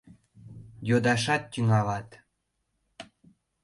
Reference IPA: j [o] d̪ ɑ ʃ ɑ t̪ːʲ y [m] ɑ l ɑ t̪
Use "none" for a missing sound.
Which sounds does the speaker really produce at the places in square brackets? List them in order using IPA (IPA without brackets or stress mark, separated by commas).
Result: o, ŋ